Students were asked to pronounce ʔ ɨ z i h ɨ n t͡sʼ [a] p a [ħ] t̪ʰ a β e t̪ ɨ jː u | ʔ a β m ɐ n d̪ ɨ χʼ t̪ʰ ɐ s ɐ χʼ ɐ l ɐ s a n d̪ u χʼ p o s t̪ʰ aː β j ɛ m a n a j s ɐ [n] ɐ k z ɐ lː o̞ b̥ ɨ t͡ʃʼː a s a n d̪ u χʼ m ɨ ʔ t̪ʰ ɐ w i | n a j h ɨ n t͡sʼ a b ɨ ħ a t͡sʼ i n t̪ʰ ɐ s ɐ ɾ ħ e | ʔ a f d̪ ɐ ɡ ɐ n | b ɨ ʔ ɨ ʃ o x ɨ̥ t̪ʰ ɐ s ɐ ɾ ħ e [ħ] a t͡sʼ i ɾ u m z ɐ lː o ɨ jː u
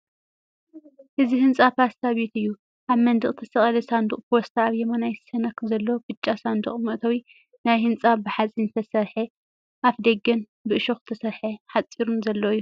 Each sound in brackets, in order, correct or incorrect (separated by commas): correct, incorrect, correct, correct